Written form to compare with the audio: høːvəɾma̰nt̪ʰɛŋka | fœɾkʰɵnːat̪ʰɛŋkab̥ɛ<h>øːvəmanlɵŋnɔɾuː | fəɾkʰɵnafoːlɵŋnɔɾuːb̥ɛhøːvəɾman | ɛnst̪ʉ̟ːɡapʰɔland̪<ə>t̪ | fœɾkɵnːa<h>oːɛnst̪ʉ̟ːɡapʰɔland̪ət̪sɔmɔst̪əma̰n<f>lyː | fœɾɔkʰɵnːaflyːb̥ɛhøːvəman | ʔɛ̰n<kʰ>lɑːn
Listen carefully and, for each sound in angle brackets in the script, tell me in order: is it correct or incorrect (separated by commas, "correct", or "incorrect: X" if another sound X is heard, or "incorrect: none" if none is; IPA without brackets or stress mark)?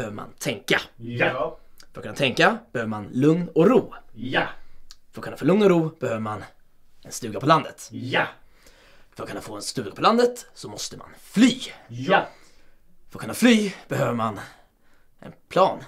correct, correct, incorrect: f, correct, incorrect: pʰ